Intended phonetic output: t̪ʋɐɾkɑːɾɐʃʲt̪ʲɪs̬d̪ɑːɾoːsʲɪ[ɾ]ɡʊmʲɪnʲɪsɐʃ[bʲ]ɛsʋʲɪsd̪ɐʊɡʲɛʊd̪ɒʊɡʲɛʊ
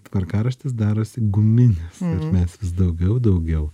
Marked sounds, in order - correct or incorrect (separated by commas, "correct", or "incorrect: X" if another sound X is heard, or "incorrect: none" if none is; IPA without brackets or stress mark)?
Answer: incorrect: none, incorrect: mʲ